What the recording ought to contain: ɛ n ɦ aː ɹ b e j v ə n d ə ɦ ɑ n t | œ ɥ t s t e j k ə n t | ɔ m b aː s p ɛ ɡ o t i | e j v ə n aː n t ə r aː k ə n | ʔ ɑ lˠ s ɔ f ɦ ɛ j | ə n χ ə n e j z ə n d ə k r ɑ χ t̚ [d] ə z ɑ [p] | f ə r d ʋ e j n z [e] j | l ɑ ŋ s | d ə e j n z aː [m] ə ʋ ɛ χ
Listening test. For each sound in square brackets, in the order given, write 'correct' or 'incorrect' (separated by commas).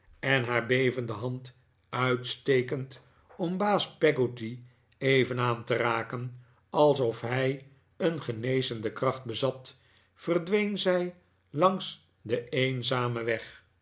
incorrect, incorrect, incorrect, correct